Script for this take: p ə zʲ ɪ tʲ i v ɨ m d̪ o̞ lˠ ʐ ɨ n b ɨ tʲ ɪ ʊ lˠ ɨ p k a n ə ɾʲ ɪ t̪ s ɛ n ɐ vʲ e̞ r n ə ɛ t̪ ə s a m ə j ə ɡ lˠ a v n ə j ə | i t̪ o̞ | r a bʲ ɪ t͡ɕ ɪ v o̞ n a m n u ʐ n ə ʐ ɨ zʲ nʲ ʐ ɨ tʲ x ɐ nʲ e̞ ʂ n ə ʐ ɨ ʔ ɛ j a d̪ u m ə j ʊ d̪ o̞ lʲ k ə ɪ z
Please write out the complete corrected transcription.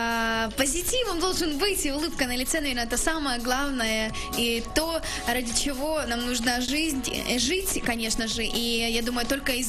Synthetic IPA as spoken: p ə zʲ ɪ tʲ i v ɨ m d̪ o̞ lˠ ʐ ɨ n b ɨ tʲ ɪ ʊ lˠ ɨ p k ə n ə lʲ ɪ t̪ s ɛ n ɐ vʲ e̞ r n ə ɛ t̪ ə s a m ə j ə ɡ lˠ a v n ə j ə | i t̪ o̞ | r a dʲ ɪ t͡ɕ ɪ v o̞ n a m n u ʐ n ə ʐ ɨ zʲ nʲ ʐ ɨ tʲ k ɐ nʲ e̞ ʂ n ə ʐ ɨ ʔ i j a d̪ u m ə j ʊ t̪ o̞ lʲ k ə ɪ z